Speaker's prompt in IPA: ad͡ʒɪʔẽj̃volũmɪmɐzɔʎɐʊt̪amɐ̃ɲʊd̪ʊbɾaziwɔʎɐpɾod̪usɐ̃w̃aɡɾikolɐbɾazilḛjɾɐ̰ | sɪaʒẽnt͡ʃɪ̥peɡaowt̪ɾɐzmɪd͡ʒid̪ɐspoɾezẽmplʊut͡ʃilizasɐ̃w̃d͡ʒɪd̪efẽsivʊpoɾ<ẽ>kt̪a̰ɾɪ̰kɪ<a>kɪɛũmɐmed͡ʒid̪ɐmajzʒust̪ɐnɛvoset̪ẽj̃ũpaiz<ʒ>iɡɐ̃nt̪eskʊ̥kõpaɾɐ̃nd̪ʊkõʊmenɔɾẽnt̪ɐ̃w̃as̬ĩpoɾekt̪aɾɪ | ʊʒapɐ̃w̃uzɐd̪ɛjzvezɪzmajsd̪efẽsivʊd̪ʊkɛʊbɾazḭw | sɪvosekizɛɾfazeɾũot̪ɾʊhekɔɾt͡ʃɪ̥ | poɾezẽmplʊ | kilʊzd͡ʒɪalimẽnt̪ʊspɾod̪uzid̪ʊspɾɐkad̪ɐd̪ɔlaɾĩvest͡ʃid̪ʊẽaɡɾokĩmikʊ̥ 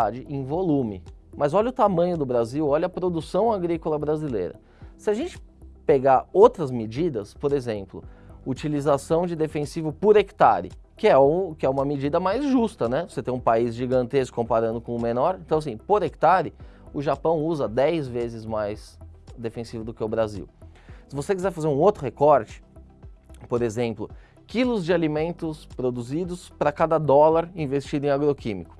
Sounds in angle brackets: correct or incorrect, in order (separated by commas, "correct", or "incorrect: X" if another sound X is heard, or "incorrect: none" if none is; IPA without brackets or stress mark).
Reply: incorrect: e, incorrect: ɛ, correct